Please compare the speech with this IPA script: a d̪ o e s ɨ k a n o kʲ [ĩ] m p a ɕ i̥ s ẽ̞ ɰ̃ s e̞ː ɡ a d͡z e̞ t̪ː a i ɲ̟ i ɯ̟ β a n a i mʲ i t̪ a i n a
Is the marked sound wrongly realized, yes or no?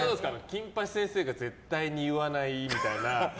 no